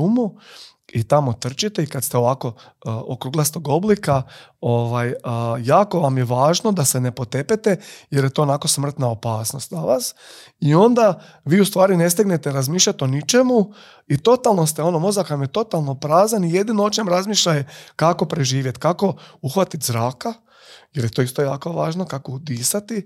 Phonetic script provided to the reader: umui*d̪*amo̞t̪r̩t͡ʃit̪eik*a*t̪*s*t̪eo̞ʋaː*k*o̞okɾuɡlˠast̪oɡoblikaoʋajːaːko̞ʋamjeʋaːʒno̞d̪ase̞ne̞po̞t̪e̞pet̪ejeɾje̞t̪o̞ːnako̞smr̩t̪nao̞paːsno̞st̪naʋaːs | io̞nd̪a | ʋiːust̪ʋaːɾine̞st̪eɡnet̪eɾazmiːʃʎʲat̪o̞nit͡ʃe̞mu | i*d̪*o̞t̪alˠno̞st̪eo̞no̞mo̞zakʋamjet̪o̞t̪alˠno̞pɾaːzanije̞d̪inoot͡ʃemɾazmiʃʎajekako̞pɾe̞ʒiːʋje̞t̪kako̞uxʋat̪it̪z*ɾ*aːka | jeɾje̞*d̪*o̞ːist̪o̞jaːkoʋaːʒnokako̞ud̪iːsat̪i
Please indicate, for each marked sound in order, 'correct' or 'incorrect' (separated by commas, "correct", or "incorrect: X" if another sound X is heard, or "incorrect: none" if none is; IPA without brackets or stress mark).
incorrect: t̪, correct, correct, correct, incorrect: t̪, correct, incorrect: t̪